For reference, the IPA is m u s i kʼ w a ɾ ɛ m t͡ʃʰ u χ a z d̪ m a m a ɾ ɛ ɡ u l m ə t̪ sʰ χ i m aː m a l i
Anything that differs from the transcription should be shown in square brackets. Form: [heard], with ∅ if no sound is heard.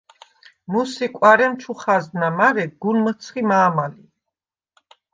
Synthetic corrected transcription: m u s i kʼ w a ɾ ɛ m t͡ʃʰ u χ a z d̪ [n] a m a ɾ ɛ ɡ u l m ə t̪ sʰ χ i m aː m a l i